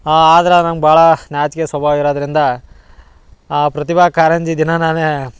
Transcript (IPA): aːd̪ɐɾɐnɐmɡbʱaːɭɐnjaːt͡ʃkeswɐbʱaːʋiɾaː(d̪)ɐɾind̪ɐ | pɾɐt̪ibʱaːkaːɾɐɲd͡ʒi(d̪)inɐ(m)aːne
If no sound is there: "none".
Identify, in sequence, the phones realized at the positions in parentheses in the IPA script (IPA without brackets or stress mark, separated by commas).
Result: d̪, d̪, n